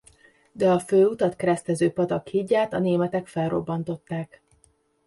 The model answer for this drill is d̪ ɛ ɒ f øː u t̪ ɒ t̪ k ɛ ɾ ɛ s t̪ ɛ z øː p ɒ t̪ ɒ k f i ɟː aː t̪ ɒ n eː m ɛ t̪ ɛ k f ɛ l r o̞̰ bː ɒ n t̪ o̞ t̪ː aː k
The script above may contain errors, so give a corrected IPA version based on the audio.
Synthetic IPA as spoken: d̪ ɛ ɒ f øː u t̪ ɒ t̪ k ɛ ɾ ɛ s t̪ ɛ z øː p ɒ t̪ ɒ k h i ɟː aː t̪ ɒ n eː m ɛ t̪ ɛ k f ɛ l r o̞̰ bː ɒ n t̪ o̞ t̪ː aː k